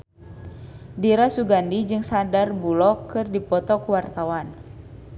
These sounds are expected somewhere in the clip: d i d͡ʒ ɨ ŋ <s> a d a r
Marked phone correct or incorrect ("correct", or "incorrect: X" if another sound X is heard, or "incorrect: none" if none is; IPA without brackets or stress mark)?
correct